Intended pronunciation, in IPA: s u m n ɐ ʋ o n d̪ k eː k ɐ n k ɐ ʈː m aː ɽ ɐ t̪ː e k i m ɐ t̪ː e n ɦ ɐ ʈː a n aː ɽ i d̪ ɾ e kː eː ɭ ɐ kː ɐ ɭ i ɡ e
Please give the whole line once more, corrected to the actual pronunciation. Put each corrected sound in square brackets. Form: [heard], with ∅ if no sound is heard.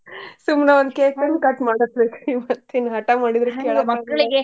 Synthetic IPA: s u m n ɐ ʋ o n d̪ k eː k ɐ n k ɐ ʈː m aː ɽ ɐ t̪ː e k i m ɐ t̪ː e n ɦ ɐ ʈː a [m] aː ɽ i d̪ ɾ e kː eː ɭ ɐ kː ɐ ɭ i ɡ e

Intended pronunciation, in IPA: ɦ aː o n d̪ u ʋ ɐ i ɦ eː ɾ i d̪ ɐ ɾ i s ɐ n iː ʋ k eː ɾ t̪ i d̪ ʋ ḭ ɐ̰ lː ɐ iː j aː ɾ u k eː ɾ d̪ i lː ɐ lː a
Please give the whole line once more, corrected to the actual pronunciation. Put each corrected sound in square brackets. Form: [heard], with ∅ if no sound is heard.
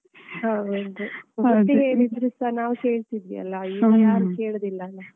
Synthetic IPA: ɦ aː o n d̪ u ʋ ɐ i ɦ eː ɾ i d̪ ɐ ɾ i s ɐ n [aː] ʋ k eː [ɭ] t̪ i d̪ ʋ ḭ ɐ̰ lː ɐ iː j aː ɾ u k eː [ɭ] d̪ i lː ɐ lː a

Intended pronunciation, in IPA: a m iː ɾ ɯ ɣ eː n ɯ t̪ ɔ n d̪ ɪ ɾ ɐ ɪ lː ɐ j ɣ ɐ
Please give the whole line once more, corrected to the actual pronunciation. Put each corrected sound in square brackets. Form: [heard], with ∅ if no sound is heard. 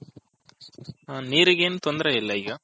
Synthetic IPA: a [n] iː ɾ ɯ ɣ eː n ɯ t̪ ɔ n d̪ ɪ ɾ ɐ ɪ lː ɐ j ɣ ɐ

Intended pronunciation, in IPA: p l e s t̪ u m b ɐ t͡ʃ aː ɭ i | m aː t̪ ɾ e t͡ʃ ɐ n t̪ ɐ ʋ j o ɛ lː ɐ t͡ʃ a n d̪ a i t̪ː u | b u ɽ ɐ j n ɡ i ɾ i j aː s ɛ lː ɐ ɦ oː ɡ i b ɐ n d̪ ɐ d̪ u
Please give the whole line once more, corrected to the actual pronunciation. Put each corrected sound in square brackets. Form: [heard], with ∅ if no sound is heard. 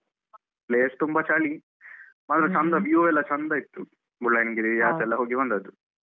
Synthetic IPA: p l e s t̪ u m b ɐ t͡ʃ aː ɭ i | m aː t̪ ɾ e t͡ʃ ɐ n [d̪] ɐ ʋ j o ɛ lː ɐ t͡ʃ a n d̪ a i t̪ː u | b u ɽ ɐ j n ɡ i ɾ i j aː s ɛ lː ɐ ɦ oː ɡ i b ɐ n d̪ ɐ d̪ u

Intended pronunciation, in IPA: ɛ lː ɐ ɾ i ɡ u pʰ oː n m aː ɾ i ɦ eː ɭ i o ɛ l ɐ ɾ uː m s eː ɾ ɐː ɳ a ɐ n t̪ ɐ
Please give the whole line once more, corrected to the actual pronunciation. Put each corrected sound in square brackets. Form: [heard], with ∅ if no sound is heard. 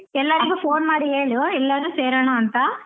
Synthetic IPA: ɛ lː ɐ ɾ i ɡ u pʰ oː n m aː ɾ i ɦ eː ɭ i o ɛ [lː] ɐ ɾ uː [∅] s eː ɾ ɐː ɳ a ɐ n t̪ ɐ

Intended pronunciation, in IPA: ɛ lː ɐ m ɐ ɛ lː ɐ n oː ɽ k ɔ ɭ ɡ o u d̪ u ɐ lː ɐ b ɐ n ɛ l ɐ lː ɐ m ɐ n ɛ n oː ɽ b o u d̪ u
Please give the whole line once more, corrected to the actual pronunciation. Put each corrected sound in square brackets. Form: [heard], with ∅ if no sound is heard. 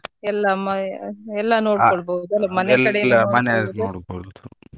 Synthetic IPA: ɛ lː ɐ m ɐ ɛ lː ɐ n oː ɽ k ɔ ɭ [b] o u d̪ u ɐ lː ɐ [m] ɐ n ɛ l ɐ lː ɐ m ɐ n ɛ n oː ɽ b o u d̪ u

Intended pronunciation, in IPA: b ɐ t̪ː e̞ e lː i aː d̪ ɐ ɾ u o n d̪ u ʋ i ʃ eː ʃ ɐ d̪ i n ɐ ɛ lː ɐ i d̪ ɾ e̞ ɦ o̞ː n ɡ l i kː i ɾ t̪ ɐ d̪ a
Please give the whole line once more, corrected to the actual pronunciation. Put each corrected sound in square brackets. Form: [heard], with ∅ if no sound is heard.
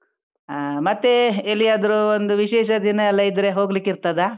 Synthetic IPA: [m] ɐ t̪ː e̞ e lː i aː d̪ ɐ ɾ u o n d̪ u ʋ i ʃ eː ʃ ɐ d̪ i n ɐ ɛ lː ɐ i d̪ ɾ e̞ ɦ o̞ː [∅] ɡ l i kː i ɾ t̪ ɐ d̪ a

